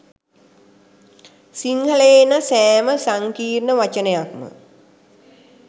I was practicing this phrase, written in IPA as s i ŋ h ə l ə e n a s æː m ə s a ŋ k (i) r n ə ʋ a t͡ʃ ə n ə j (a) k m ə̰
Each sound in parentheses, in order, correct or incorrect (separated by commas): incorrect, correct